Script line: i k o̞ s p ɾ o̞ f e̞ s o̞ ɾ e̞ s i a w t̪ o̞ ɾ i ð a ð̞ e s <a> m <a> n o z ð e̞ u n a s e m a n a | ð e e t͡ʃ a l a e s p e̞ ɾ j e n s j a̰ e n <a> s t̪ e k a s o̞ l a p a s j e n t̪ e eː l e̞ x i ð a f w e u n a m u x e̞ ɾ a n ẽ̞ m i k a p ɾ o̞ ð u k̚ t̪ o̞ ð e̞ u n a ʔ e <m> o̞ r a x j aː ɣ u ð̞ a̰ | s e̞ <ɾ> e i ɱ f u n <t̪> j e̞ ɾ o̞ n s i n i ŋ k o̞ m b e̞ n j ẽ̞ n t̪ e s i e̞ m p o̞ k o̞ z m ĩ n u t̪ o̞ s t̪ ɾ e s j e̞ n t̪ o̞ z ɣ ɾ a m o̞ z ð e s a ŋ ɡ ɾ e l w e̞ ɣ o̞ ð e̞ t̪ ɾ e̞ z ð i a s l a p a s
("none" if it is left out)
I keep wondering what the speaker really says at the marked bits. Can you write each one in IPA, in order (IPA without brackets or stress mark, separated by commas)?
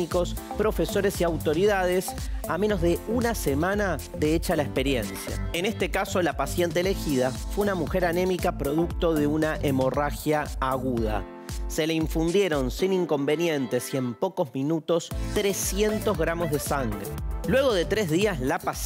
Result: a, e, e, m, l, d̪